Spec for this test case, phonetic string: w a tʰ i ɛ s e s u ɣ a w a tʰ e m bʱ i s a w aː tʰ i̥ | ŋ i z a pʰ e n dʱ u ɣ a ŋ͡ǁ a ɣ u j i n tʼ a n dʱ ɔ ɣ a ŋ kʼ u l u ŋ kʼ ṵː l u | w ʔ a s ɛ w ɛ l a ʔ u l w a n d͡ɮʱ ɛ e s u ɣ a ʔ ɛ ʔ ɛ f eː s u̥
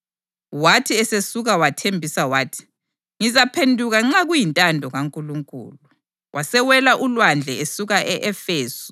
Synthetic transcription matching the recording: w a tʰ i ɛ s e s u ɣ a w a tʰ e m bʱ i s a w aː tʰ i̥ | ŋ i z a pʰ e n dʱ u ɣ a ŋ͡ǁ a ɣ u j i n tʼ a n dʱ ɔ ɣ a ŋ kʼ u l u ŋ kʼ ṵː l u | w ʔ a s ɛ w ɛ l a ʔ u l w a n d͡ɮʱ ɛ e s u ɣ a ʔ ɛ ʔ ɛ f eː s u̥